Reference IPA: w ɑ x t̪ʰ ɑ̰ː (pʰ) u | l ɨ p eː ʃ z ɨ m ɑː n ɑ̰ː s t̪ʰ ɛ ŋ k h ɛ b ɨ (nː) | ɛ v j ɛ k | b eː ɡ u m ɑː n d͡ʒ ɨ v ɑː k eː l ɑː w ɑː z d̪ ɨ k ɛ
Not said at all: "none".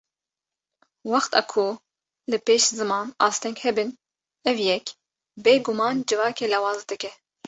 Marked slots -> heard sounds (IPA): kʰ, n

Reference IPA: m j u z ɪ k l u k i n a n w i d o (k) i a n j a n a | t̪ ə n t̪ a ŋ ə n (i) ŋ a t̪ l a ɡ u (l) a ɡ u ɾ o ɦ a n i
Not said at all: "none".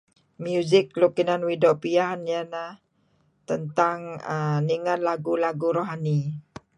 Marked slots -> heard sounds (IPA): p, i, l

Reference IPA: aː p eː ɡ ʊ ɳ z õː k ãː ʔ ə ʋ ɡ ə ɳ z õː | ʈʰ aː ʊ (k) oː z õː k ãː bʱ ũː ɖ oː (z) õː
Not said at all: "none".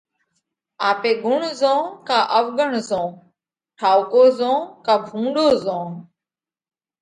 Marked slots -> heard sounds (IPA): k, z

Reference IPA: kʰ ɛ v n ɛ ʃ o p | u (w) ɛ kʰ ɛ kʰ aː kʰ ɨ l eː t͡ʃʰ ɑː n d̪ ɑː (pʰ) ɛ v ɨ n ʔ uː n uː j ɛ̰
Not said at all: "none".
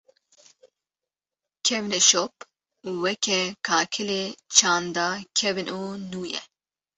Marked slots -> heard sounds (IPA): w, kʰ

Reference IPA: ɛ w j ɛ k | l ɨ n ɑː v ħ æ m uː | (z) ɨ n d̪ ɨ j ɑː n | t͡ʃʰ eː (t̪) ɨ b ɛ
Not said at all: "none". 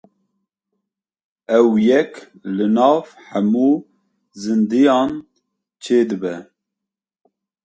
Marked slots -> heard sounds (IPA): z, d̪

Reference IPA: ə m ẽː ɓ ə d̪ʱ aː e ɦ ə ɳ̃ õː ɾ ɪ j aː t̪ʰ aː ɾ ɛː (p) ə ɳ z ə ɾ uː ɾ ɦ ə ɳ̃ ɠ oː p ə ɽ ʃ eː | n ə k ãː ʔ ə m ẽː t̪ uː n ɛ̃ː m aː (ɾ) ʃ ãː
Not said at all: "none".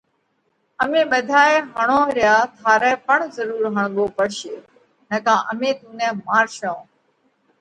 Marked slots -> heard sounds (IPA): p, ɾ

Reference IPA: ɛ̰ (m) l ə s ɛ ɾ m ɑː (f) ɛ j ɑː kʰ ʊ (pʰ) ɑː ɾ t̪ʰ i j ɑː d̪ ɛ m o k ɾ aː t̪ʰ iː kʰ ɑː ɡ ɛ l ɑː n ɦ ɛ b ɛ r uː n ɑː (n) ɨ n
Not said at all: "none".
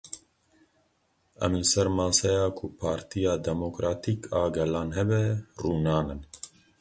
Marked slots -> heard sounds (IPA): m, s, pʰ, n

